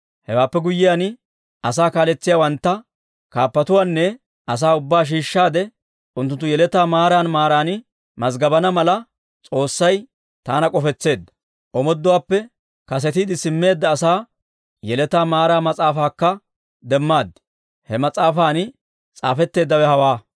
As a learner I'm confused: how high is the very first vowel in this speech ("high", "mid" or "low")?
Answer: mid